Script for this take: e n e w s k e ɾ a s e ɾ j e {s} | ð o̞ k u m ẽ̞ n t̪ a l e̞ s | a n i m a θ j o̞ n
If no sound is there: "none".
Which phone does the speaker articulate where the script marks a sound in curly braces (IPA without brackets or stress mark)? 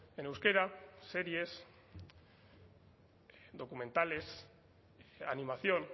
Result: s